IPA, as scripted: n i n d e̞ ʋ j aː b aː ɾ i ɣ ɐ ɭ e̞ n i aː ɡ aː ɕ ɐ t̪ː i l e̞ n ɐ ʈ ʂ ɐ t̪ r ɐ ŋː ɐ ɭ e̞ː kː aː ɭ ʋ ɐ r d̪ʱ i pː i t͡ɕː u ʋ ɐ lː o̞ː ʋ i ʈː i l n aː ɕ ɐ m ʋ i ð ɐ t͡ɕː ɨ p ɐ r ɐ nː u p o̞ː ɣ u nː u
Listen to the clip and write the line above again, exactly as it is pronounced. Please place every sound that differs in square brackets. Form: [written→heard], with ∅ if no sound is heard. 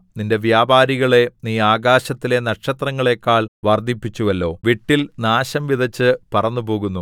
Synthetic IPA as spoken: n i n d e̞ ʋ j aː b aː ɾ i ɣ ɐ ɭ e̞ n [i→iː] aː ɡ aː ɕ ɐ t̪ː i l e̞ n ɐ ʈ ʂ ɐ t̪ r ɐ ŋː ɐ ɭ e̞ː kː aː ɭ ʋ ɐ r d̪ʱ i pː i t͡ɕː u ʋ ɐ lː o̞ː ʋ i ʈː i l n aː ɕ ɐ m ʋ i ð ɐ t͡ɕː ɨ p ɐ r ɐ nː u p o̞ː ɣ u nː u